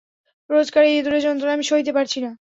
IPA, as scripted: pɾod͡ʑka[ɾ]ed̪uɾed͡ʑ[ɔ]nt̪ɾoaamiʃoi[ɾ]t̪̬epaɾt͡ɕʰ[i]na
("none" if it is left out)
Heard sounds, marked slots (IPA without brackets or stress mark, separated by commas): ɾ, ɔ, none, i